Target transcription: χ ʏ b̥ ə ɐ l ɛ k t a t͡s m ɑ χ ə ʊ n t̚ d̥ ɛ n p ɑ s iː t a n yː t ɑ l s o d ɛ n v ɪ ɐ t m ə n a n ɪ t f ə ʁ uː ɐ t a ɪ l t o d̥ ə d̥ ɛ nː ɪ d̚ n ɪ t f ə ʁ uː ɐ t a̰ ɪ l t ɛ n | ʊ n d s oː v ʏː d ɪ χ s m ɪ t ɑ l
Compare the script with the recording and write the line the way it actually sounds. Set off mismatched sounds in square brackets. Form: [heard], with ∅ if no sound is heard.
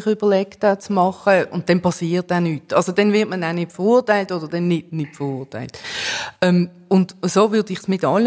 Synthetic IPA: χ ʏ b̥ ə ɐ l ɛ k t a t͡s m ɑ χ ə ʊ n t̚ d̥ ɛ n p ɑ s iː t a n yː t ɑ l s o d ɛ n v ɪ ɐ t m ə n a n ɪ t f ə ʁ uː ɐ t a ɪ l t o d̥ ə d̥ ɛ nː ɪ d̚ n ɪ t f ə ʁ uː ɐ t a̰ ɪ l t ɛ [m] | ʊ n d s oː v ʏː d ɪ χ s m ɪ t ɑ l